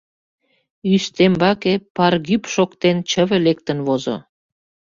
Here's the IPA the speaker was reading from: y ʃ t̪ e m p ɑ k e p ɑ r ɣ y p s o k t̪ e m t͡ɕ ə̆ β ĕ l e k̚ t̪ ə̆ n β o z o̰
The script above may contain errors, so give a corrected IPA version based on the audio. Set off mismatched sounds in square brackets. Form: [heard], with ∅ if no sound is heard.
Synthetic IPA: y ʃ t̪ e m [b] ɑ k e p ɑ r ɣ y p [ʃ] o k t̪ e [n] t͡ɕ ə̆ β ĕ l e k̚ t̪ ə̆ n β o z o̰